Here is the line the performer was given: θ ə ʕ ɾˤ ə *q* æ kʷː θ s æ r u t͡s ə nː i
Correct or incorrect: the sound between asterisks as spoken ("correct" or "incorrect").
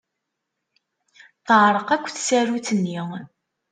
correct